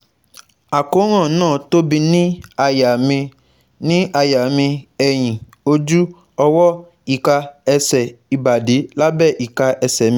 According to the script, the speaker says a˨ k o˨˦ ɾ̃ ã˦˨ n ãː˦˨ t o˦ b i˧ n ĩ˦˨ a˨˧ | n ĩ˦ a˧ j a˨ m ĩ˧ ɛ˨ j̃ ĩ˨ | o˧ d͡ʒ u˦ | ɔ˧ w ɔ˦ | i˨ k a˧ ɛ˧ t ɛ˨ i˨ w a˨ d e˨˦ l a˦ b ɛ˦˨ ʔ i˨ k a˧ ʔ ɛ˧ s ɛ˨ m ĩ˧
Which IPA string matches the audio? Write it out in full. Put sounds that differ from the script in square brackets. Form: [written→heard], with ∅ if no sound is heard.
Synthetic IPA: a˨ k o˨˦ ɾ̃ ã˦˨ n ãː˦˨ t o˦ b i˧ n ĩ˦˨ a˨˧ | n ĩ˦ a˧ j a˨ m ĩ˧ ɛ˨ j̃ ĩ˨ | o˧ d͡ʒ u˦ | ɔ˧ w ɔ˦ | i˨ k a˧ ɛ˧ [t→s] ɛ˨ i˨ [w→b] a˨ d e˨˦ l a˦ b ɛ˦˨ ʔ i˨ k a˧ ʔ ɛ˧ s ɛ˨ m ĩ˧